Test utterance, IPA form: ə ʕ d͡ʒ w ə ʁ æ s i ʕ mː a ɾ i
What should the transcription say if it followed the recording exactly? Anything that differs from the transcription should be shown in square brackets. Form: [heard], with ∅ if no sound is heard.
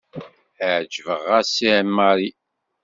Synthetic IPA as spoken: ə ʕ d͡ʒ [v] ə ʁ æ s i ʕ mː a ɾ i